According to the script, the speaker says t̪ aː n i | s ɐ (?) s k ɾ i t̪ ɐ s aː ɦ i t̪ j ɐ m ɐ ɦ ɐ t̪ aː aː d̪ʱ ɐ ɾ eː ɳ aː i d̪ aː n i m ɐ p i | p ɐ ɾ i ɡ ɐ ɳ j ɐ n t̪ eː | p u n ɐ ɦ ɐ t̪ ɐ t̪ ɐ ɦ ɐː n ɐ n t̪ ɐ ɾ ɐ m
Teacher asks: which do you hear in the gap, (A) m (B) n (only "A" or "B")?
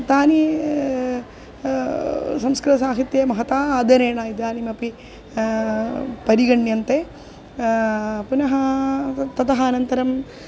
A